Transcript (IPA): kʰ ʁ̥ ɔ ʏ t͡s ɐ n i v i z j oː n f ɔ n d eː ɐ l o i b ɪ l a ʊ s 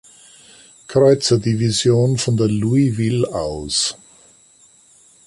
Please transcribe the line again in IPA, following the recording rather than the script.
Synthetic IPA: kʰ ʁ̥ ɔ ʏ t͡s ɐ d i v i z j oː n f ɔ n d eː ɐ l u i v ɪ l a ʊ s

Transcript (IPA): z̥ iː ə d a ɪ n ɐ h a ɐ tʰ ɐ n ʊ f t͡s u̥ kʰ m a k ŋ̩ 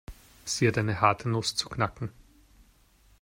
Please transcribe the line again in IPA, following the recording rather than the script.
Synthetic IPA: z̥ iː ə d a ɪ n ə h a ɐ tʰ ə n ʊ s t͡s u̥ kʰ n a k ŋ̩

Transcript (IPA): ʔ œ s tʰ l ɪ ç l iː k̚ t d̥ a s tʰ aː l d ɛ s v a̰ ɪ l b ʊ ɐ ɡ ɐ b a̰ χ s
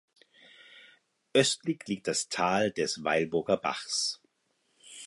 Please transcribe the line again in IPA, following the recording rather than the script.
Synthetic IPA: ʔ œ s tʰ l ɪ ç l iː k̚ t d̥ a s tʰ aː l d ɛ s v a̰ ɪ l b ʊ ɐ ɡ ɐ b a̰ χ s

